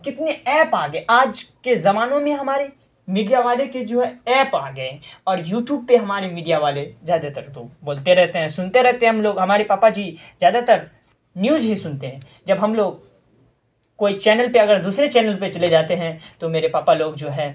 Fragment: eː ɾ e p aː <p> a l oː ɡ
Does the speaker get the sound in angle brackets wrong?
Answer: no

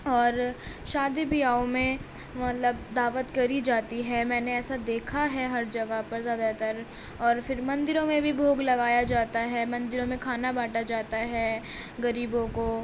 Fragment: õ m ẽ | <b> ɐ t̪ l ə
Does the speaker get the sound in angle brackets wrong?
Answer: yes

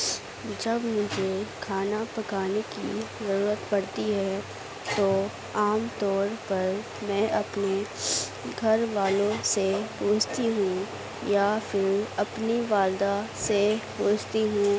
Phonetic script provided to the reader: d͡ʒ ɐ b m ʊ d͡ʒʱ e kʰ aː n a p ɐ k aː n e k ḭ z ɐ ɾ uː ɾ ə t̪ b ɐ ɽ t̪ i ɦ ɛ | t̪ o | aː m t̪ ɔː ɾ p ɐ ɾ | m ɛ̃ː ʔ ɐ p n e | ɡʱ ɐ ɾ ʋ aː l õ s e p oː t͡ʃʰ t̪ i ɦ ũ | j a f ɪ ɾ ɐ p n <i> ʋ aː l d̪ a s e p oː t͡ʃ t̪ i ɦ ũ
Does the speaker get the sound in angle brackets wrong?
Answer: no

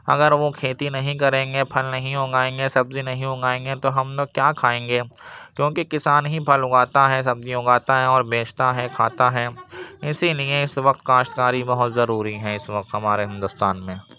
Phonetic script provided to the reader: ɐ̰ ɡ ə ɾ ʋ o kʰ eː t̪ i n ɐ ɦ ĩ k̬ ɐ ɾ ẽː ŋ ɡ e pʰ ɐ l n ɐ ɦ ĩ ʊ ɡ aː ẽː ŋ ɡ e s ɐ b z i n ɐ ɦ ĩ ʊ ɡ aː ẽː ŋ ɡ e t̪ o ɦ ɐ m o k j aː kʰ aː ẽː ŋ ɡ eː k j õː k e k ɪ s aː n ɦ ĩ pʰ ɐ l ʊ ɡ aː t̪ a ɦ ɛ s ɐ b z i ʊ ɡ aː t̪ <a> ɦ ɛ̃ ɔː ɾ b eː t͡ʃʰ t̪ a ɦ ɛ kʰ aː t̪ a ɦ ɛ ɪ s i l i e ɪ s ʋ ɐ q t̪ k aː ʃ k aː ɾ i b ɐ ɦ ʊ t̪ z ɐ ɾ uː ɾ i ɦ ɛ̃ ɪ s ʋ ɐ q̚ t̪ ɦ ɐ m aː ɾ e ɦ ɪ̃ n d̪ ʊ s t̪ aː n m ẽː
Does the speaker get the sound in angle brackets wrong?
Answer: no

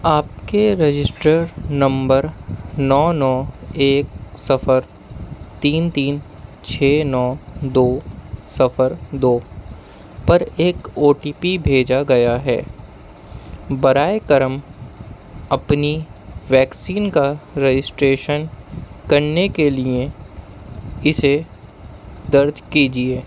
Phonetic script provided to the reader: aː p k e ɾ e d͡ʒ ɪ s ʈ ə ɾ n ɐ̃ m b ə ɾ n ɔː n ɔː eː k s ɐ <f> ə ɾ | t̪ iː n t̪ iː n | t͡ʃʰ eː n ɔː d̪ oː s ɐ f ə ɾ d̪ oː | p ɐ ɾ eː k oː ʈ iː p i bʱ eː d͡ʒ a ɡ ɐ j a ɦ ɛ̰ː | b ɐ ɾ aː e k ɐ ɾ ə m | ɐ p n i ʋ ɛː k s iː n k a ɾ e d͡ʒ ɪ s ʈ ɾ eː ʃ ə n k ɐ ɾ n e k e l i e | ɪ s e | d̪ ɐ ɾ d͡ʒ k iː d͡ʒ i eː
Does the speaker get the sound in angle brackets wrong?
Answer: no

